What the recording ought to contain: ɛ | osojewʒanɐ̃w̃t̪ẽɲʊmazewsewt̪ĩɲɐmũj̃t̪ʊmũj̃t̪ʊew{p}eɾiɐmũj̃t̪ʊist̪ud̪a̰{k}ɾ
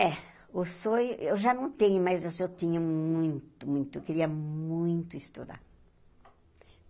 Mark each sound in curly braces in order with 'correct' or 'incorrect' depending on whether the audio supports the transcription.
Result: incorrect: k, incorrect: none

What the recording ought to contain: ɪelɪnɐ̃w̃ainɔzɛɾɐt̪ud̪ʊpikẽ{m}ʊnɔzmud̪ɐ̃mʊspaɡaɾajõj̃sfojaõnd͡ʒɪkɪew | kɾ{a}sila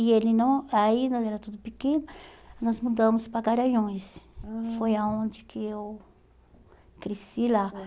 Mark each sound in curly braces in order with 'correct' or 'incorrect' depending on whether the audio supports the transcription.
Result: incorrect: n, incorrect: e

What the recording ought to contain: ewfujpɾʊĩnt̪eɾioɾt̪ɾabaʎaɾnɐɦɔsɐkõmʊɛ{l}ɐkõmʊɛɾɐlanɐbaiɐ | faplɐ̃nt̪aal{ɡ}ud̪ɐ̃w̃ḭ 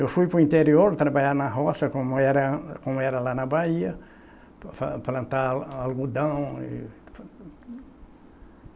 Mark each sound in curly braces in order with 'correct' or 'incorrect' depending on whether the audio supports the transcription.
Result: incorrect: ɾ, correct

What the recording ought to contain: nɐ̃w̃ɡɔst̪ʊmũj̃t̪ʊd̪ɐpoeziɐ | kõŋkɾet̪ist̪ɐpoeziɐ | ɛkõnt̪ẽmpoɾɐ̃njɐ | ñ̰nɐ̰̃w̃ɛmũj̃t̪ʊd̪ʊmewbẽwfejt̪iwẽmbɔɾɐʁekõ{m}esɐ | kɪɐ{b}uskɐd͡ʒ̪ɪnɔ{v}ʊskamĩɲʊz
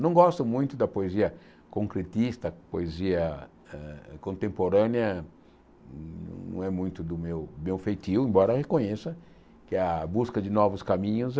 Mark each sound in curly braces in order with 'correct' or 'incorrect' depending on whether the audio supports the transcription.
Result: incorrect: ɲ, correct, correct

